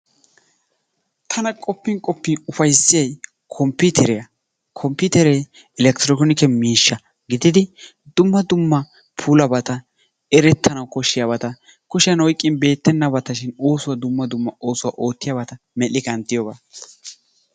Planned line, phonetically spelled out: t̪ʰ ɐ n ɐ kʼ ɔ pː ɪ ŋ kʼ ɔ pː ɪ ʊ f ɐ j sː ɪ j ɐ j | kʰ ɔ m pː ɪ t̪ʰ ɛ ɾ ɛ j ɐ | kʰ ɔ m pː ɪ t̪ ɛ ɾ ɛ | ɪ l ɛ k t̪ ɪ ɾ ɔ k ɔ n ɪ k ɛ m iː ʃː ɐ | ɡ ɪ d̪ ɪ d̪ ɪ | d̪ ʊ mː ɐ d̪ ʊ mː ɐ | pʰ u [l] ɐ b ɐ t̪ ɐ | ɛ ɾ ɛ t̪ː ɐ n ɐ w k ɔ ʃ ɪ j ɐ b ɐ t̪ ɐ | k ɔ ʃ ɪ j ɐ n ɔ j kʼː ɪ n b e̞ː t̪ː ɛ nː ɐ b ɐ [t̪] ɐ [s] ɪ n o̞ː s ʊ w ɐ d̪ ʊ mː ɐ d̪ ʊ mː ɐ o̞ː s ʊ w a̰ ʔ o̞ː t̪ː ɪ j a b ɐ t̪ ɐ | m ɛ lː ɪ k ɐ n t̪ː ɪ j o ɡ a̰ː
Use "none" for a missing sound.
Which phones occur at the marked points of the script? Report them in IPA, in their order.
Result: l, t̪, ʃ

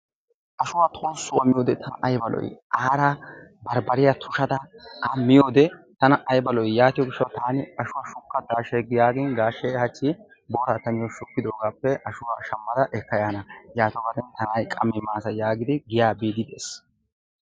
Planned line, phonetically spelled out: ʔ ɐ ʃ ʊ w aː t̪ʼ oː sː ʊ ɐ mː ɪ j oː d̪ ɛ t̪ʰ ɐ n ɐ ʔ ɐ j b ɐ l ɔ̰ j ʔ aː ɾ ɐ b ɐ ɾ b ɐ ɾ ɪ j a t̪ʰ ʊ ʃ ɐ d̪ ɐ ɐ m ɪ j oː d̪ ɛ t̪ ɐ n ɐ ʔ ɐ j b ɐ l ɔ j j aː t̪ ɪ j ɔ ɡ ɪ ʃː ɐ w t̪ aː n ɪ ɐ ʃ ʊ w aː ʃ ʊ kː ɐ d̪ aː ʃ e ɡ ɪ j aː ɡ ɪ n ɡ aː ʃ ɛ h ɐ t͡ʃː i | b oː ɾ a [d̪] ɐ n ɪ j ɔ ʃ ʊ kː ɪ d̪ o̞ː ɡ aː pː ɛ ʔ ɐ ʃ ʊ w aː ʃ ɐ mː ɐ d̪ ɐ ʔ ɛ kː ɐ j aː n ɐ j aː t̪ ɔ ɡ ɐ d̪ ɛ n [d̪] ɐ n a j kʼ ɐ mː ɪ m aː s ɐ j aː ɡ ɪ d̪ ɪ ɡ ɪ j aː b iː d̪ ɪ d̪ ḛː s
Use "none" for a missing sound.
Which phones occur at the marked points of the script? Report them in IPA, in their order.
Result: t̪, t̪

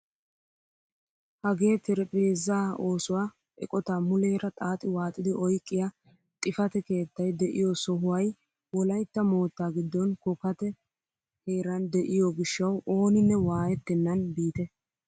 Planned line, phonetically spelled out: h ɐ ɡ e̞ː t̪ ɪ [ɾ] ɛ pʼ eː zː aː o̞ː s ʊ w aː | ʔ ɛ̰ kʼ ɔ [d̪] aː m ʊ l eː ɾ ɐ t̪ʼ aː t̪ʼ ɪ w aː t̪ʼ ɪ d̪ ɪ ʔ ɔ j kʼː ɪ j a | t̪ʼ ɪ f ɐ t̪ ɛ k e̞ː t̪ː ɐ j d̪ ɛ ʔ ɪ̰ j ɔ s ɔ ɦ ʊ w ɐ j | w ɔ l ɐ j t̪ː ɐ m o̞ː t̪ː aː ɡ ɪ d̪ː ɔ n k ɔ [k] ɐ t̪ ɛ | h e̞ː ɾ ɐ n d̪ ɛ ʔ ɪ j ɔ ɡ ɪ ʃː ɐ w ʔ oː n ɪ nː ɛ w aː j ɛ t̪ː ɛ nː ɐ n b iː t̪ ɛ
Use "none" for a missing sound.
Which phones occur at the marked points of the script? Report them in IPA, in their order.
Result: ɾ, t̪, k

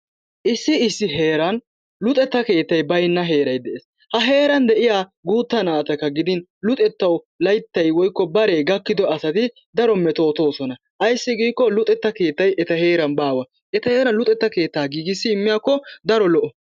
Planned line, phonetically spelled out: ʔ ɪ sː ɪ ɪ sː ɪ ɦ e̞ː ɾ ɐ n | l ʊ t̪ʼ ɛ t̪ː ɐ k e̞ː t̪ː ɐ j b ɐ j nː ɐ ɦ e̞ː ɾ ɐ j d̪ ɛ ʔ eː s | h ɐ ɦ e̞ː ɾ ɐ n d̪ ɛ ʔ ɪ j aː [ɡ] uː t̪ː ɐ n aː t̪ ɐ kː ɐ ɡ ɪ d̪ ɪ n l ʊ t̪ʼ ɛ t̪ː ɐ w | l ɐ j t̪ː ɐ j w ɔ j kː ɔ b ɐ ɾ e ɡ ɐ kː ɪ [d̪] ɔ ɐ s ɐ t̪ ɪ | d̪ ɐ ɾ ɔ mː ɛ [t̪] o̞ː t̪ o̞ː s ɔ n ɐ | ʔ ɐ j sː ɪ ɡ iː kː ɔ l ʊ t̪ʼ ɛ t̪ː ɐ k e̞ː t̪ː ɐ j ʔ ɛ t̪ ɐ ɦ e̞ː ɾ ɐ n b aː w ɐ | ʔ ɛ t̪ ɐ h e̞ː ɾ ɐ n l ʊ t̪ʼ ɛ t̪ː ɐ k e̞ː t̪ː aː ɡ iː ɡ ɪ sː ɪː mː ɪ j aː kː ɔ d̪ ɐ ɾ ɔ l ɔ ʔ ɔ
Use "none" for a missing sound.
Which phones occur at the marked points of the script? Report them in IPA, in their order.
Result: ɡ, d̪, t̪

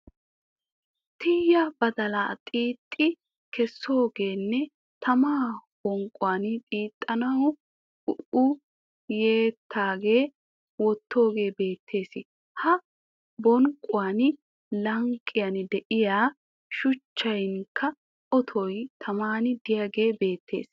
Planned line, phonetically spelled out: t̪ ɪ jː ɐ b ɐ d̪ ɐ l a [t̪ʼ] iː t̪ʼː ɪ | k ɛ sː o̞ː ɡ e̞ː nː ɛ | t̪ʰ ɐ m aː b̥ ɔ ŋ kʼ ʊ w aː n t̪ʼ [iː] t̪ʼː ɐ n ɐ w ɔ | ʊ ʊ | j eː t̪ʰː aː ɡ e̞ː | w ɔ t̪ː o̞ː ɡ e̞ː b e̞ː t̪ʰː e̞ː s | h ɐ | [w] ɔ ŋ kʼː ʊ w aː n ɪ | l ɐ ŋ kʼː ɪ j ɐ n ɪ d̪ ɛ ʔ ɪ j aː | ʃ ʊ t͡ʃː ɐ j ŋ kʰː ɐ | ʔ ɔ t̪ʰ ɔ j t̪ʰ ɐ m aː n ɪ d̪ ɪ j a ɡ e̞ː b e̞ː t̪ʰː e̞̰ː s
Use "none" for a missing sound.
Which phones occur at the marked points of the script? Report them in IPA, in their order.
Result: t̪ʼ, iː, b

